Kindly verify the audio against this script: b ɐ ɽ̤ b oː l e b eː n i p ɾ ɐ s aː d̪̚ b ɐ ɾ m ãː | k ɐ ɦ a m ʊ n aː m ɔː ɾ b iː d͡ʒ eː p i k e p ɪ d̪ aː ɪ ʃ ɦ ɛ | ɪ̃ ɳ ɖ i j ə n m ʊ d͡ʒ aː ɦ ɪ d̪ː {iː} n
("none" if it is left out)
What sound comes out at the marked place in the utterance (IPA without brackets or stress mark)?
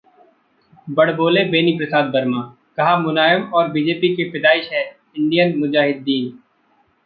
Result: iː